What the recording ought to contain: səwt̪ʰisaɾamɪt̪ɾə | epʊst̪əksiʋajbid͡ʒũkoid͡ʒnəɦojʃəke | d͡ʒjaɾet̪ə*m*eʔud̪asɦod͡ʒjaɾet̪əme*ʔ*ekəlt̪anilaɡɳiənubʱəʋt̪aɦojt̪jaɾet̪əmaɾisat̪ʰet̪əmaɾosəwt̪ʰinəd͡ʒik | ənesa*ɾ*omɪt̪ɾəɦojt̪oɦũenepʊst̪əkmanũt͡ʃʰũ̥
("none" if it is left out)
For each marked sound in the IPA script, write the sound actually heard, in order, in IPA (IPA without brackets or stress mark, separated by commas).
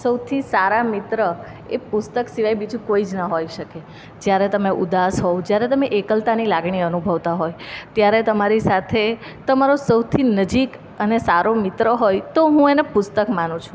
m, ʔ, ɾ